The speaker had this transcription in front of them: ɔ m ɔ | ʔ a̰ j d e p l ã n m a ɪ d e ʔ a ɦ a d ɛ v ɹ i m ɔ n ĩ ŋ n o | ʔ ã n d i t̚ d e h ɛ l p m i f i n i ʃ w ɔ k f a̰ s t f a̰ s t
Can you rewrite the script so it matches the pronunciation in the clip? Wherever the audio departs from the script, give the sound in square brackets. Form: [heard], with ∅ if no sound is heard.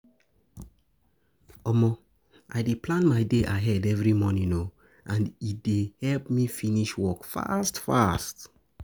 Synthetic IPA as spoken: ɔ m ɔ | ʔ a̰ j d e p l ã n m a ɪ d e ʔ a ɦ [ɛ] d ɛ v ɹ i m ɔ n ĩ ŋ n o | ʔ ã n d i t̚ d e h ɛ l p m i f i n i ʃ w ɔ k f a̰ s t f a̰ s t

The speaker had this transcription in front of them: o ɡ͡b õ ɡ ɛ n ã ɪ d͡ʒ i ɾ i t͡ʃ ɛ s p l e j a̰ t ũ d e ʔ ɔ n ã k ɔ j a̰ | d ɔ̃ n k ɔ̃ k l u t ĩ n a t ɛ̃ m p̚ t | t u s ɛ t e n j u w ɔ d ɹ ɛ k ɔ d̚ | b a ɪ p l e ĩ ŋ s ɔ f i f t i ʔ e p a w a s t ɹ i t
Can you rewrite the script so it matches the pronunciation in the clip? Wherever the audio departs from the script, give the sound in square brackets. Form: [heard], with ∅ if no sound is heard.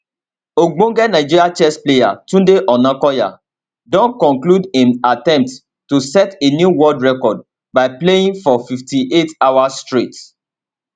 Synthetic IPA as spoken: o ɡ͡b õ ɡ ɛ n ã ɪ d͡ʒ i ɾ [a] t͡ʃ ɛ s p l e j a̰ t ũ d e ʔ ɔ n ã k ɔ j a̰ | d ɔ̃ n k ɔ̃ k l u [d] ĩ n a t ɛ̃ m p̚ t | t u s ɛ t e n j u w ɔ d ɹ ɛ k ɔ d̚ | b a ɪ p l e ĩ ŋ [f] ɔ f i f t i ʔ e [t] a w a s t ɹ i t

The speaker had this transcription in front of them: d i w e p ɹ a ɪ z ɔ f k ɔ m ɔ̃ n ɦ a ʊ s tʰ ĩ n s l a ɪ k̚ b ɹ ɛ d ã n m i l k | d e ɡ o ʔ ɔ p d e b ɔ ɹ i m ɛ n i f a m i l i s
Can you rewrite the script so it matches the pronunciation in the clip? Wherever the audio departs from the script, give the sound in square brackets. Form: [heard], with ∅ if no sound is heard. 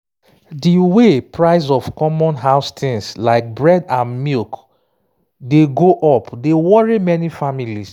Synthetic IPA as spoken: d i w e p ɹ a ɪ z ɔ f k ɔ m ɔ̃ n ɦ a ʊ s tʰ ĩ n s l a ɪ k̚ b ɹ ɛ d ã n m i l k | d e ɡ o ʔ ɔ p d e [w] ɔ ɹ i m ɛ n i f a m i l i s

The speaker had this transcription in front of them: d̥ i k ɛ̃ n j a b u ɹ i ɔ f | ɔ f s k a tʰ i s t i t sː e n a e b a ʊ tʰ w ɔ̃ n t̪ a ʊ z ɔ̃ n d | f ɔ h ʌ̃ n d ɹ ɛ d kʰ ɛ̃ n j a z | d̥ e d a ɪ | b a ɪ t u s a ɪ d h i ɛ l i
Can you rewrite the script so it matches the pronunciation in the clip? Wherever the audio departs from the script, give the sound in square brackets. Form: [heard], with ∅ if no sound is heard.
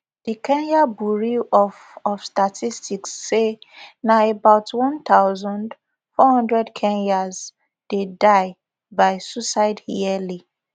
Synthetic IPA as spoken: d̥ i k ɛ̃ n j a b u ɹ i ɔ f | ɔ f s [t] a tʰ i s t i [k] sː e n a e b a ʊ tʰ w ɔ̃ n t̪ a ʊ z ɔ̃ n d | f ɔ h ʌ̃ n d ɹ ɛ d kʰ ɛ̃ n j a z | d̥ e d a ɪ | b a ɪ [s] u s a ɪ d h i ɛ l i

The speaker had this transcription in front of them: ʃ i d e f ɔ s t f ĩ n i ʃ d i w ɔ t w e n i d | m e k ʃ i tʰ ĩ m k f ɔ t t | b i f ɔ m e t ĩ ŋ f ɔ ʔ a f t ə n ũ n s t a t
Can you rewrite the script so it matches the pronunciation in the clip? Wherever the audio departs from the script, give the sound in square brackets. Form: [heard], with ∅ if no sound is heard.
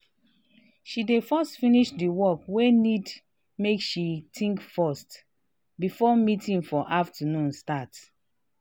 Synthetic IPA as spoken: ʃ i d e f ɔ s t f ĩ n i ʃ d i w ɔ [k] w e n i d | m e k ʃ i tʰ ĩ [ŋ] k f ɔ [s] t | b i f ɔ m [i] t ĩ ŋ f ɔ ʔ a f t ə n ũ n s t a t

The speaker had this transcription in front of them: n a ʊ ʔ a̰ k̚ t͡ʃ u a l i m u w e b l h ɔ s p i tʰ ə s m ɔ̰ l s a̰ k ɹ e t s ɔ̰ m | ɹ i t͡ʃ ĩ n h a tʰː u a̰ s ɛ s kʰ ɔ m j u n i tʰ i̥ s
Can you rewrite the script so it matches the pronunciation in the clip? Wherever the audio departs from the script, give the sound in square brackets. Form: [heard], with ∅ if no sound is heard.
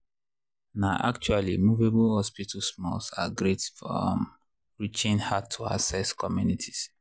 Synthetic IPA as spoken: n a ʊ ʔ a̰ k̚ t͡ʃ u a l i m u [v] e b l h ɔ s p i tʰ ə s m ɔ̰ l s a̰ [ɡ] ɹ e t [f] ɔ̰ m | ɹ i t͡ʃ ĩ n h a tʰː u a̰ s ɛ s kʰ ɔ m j u n i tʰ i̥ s

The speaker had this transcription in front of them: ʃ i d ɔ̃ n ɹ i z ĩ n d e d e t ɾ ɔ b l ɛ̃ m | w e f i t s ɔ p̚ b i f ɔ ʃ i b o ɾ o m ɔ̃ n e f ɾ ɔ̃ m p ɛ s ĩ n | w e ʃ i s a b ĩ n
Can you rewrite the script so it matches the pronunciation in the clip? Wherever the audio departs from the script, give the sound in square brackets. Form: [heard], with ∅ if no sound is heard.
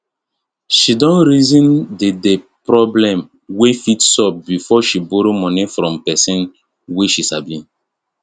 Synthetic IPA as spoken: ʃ i d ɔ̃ n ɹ i z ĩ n d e d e [p] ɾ ɔ b l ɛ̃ m | w e f i t s ɔ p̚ b i f ɔ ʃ i b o ɾ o m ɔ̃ n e f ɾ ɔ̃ m p ɛ s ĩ n | w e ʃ i s a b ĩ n

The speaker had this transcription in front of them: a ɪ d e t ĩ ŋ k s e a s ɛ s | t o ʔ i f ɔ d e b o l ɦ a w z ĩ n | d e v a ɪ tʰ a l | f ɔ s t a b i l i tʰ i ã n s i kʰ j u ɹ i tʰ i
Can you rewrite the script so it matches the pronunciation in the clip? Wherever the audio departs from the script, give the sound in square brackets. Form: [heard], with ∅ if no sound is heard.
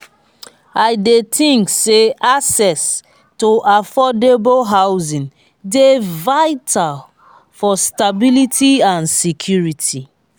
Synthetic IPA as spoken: a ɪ d e t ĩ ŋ k s e a s ɛ s | t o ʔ [a] f ɔ d e b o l ɦ a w z ĩ n | d e v a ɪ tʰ a l | f ɔ s t a b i l i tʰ i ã n s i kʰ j u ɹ i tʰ i

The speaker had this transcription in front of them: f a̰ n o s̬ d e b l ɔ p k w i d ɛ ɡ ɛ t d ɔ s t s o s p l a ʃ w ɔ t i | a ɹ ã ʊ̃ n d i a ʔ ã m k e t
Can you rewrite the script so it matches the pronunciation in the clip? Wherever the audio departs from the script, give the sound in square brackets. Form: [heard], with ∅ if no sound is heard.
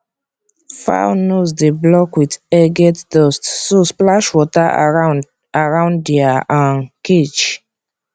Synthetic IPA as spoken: f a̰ n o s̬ d e b l ɔ [∅] k w i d ɛ ɡ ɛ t d ɔ s t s o s p l a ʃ w ɔ t [a] | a ɹ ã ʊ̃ n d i a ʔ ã [n] k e [t͡ʃ]

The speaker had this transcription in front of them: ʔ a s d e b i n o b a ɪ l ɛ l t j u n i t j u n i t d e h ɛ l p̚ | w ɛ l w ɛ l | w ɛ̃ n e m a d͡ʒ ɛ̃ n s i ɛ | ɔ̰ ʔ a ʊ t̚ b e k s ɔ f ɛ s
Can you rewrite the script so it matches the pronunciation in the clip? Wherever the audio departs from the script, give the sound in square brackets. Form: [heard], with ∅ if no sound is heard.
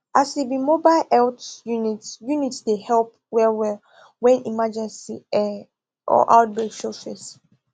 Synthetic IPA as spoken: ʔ a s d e b i [m] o b a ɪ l ɛ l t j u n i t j u n i t d e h ɛ l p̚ | w ɛ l w ɛ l | w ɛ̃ n [i] m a d͡ʒ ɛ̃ n s i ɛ | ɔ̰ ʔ a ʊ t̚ b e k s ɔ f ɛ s

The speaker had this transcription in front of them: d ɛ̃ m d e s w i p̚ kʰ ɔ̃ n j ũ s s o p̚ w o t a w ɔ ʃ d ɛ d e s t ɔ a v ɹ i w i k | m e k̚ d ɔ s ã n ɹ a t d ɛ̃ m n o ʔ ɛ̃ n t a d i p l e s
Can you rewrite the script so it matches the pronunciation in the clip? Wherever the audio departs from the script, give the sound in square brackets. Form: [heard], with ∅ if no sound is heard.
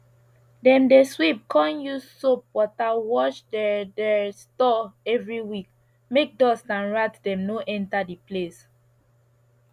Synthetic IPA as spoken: d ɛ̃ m d e s w i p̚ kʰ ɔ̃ n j [u] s s o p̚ w [ɔ] t a w ɔ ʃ d ɛ d [ɛ] s t ɔ [ɛ] v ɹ i w i k | m e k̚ d ɔ s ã n ɹ a t d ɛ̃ m n o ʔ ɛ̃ n t a d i p l e s

